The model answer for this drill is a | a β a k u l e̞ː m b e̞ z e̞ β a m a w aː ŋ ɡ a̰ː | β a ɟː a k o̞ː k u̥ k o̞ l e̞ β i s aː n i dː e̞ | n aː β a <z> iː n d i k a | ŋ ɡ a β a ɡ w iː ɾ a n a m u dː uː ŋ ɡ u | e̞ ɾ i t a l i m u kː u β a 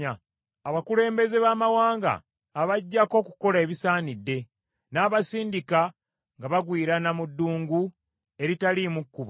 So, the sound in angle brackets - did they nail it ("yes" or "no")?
no